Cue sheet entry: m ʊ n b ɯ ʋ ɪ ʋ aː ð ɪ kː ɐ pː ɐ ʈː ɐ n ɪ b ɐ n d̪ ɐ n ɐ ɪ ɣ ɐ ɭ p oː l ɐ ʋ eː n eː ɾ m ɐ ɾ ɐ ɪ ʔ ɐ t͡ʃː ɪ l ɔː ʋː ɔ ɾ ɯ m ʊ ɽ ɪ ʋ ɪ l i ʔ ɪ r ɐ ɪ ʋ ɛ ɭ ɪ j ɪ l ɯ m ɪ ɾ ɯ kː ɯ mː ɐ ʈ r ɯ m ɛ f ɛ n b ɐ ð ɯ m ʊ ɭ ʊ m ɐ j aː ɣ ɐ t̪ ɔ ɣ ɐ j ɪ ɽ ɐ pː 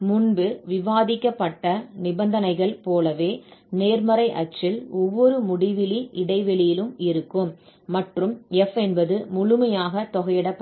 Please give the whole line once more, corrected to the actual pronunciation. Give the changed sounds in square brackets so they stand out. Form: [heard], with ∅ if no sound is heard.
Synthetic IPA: m ʊ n b ɯ ʋ ɪ ʋ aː ð ɪ kː ɐ pː ɐ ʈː ɐ n ɪ b ɐ n d̪ ɐ n ɐ ɪ ɣ ɐ ɭ p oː l ɐ ʋ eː n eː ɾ m ɐ ɾ ɐ ɪ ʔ ɐ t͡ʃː ɪ l [ɔ] ʋː ɔ ɾ ɯ m ʊ ɽ ɪ ʋ ɪ l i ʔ ɪ [ɽ] ɐ ɪ ʋ ɛ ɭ ɪ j ɪ l ɯ m ɪ ɾ ɯ kː ɯ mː ɐ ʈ r ɯ m ɛ f ɛ n b ɐ ð ɯ m ʊ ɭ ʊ m ɐ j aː ɣ ɐ t̪ ɔ ɣ ɐ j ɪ ɽ ɐ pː